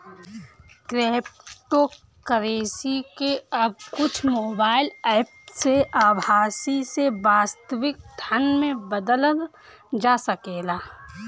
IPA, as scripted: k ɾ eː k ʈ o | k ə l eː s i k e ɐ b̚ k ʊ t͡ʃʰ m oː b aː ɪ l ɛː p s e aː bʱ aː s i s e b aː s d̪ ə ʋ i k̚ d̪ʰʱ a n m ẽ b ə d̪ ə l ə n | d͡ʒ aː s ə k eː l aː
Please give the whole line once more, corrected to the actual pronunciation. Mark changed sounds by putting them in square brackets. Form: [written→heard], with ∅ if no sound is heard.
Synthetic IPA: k ɾ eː [k→p] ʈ o | k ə [l→ɾ] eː s i k e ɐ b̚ k ʊ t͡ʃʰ m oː b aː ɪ l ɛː p s e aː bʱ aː s i s e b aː s [d̪→t̪] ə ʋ [i→ɪ] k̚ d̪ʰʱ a n m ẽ b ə d̪ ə l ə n | d͡ʒ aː s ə k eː l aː